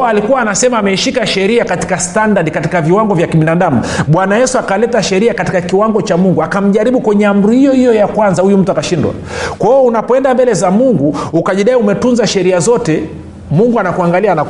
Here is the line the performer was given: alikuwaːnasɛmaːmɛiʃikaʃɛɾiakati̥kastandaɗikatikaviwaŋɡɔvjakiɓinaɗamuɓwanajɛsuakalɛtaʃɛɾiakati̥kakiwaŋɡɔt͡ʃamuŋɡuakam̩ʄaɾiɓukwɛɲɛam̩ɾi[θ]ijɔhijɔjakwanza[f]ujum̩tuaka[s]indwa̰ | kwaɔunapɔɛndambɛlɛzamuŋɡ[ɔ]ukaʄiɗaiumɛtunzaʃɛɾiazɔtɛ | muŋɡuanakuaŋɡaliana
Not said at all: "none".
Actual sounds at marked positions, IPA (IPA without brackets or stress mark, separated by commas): h, h, ʃ, u